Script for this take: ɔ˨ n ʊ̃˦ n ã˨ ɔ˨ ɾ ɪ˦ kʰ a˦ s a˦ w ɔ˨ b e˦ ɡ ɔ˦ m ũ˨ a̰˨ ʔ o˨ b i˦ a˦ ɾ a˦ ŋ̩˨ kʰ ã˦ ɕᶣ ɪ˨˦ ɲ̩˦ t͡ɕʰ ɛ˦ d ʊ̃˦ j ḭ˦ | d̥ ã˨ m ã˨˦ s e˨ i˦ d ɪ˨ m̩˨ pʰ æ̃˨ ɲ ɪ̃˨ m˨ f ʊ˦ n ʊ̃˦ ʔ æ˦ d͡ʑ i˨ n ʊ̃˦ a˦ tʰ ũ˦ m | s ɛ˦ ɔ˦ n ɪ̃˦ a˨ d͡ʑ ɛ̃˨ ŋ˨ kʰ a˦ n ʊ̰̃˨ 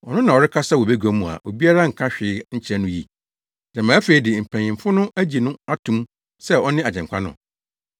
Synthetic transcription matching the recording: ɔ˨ n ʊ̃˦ n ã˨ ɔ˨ ɾ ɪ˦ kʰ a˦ s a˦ w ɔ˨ b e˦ ɡ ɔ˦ m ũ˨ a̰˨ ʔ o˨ b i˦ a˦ ɾ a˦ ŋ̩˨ kʰ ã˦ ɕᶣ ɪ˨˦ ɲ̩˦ t͡ɕʰ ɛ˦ n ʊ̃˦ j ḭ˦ | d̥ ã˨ m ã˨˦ f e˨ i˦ d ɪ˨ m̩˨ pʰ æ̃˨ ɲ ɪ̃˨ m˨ f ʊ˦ n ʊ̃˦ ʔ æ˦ d͡ʑ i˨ n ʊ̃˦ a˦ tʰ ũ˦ m | s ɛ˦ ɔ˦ n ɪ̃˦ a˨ d͡ʑ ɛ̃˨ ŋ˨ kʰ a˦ n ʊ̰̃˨